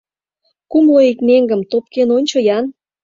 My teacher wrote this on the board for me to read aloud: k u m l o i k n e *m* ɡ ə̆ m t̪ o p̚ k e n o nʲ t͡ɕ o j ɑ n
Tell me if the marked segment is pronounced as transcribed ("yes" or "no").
no